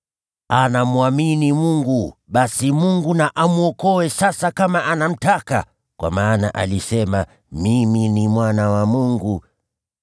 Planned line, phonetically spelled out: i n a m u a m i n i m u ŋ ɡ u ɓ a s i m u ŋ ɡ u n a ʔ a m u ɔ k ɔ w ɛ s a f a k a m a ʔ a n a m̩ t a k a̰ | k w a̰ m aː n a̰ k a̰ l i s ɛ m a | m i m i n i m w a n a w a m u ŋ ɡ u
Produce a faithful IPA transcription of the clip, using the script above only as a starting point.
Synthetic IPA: a n a m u a m i n i m u ŋ ɡ u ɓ a s i m u ŋ ɡ u n a ʔ a m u ɔ k ɔ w ɛ s a s a k a m a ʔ a n a m̩ t a k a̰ | k w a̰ m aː n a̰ ʔ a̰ l i s ɛ m a | m i m i n i m w a n a w a m u ŋ ɡ u